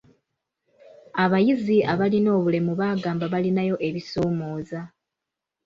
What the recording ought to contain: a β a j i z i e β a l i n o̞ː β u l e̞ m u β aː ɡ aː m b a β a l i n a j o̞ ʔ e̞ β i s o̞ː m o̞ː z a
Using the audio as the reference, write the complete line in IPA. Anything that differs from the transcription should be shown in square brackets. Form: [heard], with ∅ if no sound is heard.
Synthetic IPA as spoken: a β a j i z i [a] β a l i n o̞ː β u l e̞ m u β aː ɡ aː m b a β a l i n a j o̞ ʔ e̞ β i s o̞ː m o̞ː z a